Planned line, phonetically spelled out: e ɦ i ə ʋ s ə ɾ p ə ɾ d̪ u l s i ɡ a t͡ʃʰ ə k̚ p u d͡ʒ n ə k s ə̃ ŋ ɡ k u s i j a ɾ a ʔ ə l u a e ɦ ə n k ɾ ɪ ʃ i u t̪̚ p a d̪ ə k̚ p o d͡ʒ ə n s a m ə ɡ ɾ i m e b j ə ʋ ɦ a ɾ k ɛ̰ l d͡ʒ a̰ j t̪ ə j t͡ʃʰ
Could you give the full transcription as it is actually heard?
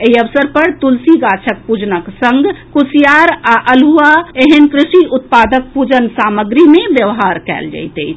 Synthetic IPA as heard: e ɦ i ə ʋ s ə ɾ p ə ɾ t̪ u l s i ɡ a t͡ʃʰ ə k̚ p u d͡ʒ n ə k s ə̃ ŋ ɡ k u s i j a ɾ a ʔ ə l u a e ɦ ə n k ɾ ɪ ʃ i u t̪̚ p a d̪ ə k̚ p u d͡ʒ ə n s a m ə ɡ ɾ i m e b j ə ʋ ɦ a ɾ k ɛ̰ l d͡ʒ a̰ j t̪ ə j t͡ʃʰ